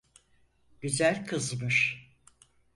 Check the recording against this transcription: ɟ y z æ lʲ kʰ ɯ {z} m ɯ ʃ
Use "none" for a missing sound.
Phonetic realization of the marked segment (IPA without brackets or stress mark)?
z